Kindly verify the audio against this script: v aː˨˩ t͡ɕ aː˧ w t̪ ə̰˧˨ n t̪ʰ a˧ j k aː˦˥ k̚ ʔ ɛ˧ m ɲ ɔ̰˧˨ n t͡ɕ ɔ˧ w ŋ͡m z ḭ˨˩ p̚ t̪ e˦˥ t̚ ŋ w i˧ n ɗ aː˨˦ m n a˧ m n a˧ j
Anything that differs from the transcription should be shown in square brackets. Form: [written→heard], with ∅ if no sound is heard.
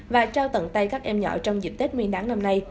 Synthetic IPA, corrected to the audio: v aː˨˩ t͡ɕ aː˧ w t̪ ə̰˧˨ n [t̪ʰ→t̪] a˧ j k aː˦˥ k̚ ʔ ɛ˧ m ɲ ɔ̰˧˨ [n→∅] t͡ɕ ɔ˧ w ŋ͡m z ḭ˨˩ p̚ t̪ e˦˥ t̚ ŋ w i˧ n ɗ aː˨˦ [m→ŋ] n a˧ m n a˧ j